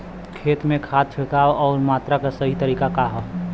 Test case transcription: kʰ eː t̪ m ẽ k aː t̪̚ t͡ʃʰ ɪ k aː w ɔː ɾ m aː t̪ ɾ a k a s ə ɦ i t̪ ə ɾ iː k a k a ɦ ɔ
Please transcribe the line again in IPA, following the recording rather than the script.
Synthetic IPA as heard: kʰ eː t̪ m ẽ kʰ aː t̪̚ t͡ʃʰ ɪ k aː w ɔː ɾ m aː t̪ ɾ a k a s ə ɦ i t̪ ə ɾ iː k a k a ɦ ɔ

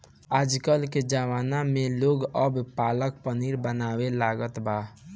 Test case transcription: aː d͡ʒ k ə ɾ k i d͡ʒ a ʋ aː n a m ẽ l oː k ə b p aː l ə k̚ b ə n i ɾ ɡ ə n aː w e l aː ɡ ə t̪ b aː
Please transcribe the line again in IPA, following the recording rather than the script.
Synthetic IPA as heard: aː d͡ʒ k ə l k e d͡ʒ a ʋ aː n a m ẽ l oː ɡ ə b p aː l ə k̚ p ə n i ɾ b ə n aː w e l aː ɡ ə t̪ b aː

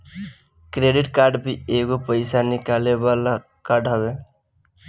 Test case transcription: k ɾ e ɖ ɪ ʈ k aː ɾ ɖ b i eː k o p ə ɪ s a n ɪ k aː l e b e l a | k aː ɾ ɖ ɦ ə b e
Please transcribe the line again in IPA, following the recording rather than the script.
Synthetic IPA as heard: k ɾ e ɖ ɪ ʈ k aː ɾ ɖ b i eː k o p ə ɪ s a n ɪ k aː l e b a l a | k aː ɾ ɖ ɦ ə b e

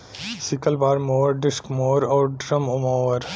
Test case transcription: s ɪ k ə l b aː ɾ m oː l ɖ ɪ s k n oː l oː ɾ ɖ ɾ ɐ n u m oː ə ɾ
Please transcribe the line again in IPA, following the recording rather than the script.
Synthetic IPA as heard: s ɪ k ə l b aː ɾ m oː ɾ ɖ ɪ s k m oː ɾ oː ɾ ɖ ɾ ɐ m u m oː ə ɾ

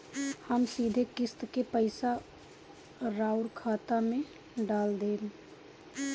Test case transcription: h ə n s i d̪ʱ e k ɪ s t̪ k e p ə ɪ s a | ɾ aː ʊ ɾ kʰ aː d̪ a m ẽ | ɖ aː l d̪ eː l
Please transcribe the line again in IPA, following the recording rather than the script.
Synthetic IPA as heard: h ə m s i d̪ʱ e k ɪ s t̪ k e p ə ɪ s a | ɾ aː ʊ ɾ kʰ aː t̪ a m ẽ | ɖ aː l d̪ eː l

